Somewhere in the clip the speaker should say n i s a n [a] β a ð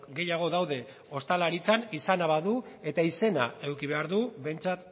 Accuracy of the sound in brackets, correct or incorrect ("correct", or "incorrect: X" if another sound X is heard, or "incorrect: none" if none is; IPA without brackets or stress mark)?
correct